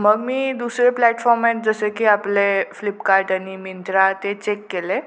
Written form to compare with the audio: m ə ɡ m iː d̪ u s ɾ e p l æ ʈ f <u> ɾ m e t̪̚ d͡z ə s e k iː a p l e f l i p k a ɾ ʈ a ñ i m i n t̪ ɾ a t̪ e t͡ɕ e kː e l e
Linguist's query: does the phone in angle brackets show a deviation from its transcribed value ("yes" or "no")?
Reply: yes